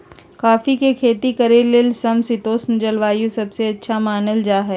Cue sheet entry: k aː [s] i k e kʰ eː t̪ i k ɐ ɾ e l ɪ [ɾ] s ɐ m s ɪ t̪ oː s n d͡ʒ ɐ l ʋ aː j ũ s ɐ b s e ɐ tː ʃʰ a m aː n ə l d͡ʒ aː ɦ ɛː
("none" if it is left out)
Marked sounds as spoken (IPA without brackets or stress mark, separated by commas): f, l